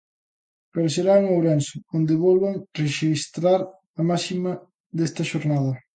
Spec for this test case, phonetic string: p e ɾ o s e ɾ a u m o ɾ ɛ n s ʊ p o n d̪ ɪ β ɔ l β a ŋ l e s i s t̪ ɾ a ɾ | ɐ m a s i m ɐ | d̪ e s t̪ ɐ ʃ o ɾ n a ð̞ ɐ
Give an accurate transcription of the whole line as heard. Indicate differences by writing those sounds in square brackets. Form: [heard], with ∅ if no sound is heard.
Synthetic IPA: p e ɾ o s e ɾ a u [ŋ] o ɾ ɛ n s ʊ [∅] o n d̪ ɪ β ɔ l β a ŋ [r] e [ʃ] i s t̪ ɾ a ɾ | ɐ m a s i m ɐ | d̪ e s t̪ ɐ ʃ o ɾ n a ð̞ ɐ

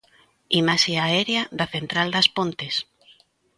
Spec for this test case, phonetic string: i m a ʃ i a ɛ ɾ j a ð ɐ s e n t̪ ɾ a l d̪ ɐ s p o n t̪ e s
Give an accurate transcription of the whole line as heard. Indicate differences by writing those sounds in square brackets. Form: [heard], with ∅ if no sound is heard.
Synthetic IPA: i m a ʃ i a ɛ ɾ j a ð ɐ [θ] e n t̪ ɾ a l d̪ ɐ s p o n t̪ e s

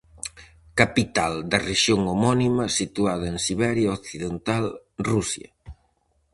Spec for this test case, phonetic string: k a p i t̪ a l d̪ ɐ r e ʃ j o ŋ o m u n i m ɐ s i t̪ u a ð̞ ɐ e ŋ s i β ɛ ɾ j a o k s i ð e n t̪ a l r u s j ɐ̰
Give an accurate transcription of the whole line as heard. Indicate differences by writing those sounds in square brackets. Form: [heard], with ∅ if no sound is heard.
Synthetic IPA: k a p i t̪ a l d̪ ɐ r e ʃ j o ŋ o m [ɔ] n i m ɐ s i t̪ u a ð̞ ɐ e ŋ s i β ɛ ɾ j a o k [θ] i ð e n t̪ a l r u s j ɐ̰

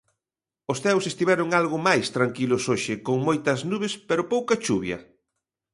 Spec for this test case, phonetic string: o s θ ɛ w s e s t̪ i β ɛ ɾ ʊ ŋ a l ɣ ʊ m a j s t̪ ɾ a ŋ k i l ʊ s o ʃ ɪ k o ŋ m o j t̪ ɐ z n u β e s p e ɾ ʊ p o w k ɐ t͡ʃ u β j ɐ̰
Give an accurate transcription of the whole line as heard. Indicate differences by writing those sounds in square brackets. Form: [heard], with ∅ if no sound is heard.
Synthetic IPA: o s θ ɛ w s e s t̪ i β ɛ ɾ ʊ ŋ a l ɣ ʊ m a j s t̪ ɾ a ŋ k i l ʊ s o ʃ ɪ k o ŋ m o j t̪ ɐ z n u β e s p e ɾ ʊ p o w k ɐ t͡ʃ u β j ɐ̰

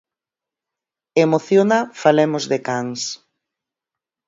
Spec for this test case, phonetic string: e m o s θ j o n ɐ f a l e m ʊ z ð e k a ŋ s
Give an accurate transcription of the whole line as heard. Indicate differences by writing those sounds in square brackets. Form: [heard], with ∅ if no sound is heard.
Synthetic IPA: e m o [∅] θ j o n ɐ f a l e m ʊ z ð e k a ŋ s

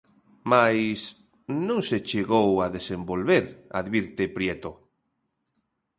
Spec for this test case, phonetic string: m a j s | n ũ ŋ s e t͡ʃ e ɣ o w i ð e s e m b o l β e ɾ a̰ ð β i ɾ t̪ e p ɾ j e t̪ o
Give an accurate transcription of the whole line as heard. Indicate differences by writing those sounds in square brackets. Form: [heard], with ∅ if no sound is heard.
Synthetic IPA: m a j s | n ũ ŋ s e t͡ʃ e ɣ o w [a] ð e s e m b o l β e ɾ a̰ ð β i ɾ t̪ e p ɾ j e t̪ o

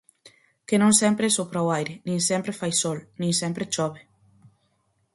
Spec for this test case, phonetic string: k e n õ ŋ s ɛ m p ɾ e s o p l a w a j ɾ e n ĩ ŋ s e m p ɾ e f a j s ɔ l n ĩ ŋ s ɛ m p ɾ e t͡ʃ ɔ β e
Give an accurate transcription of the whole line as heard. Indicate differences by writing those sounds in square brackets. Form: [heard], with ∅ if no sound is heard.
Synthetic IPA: k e n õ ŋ s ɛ m p ɾ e s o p [ɾ] a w a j ɾ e n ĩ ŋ s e m p ɾ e f a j s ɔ l n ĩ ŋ s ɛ m p ɾ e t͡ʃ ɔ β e

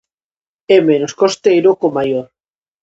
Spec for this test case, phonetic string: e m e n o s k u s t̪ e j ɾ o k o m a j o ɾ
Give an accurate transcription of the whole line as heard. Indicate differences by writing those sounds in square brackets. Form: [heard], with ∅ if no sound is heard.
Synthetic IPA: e m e n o s k [o] s t̪ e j ɾ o k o m a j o ɾ

